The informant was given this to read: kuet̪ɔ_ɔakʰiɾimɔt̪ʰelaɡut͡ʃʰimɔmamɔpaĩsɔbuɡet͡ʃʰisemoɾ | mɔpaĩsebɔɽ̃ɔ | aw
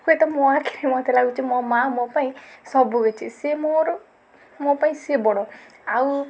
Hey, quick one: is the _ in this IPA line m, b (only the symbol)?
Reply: m